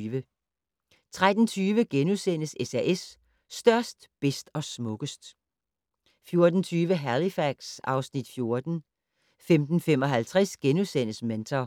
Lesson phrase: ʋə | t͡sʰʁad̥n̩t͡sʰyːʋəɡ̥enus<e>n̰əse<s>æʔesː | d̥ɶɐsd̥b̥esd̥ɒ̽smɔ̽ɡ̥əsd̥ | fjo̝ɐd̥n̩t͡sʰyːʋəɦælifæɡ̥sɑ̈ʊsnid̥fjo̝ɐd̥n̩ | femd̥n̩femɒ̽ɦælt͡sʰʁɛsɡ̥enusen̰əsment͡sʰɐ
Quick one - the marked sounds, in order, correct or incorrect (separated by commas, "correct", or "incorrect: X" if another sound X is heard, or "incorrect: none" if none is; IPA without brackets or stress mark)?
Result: correct, correct